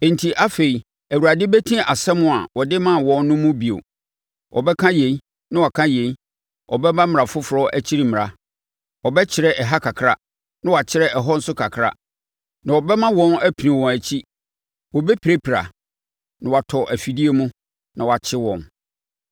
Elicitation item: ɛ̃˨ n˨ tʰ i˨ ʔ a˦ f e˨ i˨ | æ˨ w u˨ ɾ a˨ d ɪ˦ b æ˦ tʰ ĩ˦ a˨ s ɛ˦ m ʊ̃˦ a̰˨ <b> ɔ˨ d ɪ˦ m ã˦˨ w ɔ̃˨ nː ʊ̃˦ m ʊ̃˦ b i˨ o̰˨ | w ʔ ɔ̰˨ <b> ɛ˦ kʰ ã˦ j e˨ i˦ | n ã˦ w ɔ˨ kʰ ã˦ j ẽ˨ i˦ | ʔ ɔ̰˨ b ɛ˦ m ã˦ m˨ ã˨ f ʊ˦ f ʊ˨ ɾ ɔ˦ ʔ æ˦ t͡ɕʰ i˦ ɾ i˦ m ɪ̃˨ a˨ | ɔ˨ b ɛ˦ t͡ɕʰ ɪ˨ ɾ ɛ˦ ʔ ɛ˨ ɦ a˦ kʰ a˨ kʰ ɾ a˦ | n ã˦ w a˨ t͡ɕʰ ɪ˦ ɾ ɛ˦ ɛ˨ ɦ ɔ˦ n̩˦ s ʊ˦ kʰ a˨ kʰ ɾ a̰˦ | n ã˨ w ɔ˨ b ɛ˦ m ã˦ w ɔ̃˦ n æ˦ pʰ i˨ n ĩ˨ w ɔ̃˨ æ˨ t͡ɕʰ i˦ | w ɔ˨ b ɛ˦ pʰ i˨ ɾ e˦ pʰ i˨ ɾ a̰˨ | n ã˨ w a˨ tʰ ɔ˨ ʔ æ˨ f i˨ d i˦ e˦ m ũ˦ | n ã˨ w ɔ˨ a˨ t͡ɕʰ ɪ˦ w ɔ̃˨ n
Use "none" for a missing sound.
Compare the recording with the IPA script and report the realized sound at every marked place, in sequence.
w, b

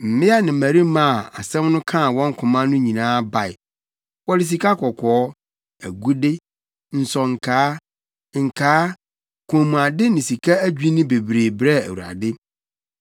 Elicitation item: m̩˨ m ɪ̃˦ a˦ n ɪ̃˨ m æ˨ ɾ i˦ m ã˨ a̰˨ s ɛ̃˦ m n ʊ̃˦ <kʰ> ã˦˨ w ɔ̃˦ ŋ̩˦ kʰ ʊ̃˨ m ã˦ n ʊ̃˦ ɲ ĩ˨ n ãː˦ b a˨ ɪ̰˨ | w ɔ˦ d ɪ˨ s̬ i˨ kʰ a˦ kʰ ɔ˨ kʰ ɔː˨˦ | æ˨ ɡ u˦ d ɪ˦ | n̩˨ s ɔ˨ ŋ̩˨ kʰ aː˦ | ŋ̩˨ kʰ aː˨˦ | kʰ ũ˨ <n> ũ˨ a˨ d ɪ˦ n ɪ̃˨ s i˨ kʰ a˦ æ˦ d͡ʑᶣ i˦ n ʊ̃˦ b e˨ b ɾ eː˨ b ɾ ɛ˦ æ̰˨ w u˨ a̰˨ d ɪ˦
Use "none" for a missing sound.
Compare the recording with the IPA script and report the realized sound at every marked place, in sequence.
kʰ, m

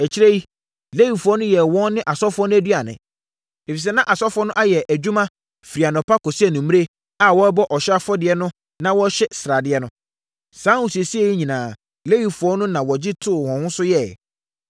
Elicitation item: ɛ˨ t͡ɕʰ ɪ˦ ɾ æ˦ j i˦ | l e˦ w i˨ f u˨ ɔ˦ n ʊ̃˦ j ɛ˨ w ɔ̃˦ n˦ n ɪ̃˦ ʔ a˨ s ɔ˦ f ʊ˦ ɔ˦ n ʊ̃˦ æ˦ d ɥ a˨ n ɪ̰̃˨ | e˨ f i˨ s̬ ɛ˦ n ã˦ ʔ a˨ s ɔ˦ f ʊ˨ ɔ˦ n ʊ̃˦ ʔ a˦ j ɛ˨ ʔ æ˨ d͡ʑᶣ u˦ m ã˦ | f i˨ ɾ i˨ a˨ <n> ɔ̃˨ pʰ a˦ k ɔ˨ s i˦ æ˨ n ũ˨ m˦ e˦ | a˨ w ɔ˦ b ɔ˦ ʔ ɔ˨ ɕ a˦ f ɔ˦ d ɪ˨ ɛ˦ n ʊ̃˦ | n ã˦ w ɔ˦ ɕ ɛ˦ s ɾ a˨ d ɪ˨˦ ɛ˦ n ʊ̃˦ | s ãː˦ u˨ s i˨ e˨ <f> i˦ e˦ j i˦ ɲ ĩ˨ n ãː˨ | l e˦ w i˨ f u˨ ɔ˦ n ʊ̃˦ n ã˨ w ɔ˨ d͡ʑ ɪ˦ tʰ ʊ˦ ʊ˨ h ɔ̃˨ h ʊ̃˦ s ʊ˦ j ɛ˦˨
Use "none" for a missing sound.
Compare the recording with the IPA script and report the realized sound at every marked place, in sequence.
n, s

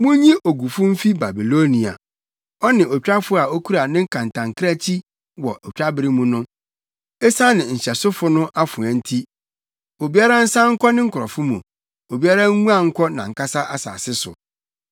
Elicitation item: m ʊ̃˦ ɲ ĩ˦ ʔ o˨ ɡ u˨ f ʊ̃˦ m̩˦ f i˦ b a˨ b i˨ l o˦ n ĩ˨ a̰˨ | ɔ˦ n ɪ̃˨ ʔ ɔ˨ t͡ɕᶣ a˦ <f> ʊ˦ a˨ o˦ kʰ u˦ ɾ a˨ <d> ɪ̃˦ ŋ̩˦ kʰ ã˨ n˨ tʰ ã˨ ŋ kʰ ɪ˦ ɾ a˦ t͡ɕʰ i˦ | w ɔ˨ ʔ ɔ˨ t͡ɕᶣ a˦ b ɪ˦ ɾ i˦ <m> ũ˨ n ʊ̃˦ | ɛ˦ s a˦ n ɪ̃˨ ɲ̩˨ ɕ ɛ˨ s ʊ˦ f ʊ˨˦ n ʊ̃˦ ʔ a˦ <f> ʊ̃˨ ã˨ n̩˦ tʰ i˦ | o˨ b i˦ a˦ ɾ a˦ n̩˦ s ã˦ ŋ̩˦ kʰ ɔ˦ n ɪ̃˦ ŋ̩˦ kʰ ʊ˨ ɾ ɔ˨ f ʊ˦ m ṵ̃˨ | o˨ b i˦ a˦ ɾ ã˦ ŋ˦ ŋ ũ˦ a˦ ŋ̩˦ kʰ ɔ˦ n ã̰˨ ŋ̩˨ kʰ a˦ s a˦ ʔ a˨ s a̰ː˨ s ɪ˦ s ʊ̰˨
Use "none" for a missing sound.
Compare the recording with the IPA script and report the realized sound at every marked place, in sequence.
f, n, m, f

